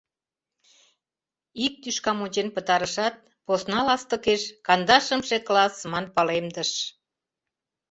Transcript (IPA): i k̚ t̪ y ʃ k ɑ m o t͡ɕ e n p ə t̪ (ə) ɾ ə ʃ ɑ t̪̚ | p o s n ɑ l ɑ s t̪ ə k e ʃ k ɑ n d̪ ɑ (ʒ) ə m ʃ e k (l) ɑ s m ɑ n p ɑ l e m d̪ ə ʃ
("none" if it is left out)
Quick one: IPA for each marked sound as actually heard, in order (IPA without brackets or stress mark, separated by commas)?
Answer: ɑ, ʃ, l